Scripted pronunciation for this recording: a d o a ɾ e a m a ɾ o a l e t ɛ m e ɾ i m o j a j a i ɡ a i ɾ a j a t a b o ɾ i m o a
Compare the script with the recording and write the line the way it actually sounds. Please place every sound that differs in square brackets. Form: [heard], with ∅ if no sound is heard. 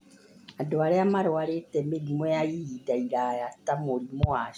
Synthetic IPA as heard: a d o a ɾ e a m a ɾ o a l e t ɛ m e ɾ i m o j a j [i] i [d] a i ɾ a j a t a [m] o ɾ i m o a

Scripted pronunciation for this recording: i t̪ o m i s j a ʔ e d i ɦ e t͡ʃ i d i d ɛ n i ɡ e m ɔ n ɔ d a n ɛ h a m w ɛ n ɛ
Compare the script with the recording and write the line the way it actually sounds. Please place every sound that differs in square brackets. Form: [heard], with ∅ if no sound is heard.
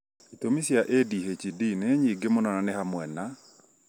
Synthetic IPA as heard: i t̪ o m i s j a ʔ e d i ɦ e t͡ʃ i d i [n] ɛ [ɲ] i ɡ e m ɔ n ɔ [n] a n ɛ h a m w ɛ n [a]

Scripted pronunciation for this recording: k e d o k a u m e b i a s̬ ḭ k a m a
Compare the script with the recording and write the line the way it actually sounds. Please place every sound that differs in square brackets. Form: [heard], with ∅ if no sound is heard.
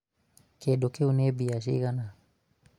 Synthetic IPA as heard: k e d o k [e] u [n] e b i a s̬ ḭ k a [n] a

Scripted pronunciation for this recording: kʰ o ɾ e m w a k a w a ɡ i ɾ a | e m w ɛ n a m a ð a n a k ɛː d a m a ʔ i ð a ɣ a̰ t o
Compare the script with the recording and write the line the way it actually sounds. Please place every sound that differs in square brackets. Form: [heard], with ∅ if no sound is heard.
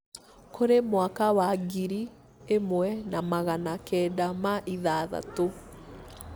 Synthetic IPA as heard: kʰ o ɾ e m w a k a w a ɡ i ɾ [i] | e m w ɛ n a m a [ɣ] a n a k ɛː d a m a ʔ i ð a [ð] a̰ t o

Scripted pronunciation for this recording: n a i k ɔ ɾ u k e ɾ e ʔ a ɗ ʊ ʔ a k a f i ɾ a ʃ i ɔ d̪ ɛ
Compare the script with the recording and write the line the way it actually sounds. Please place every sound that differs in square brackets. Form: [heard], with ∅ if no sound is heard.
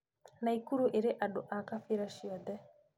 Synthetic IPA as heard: n a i k [u] ɾ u [ʔ] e ɾ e ʔ a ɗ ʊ ʔ a k a f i ɾ a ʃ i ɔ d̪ ɛ

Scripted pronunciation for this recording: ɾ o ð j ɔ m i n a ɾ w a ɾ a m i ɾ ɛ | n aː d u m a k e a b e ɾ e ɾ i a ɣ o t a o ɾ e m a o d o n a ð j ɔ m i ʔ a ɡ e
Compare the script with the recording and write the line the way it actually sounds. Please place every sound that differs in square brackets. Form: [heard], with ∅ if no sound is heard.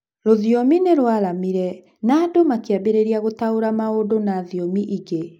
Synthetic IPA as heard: ɾ o ð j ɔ m i n [e] ɾ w a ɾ a m i ɾ ɛ | n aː d [o] m a k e a b e ɾ e ɾ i a ɣ o t a o ɾ [a] m a o d o n a ð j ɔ m i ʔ [i] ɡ e

